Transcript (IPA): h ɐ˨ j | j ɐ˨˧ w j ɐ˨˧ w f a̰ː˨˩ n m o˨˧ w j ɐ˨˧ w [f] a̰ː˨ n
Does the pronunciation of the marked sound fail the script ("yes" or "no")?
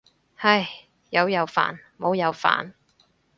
no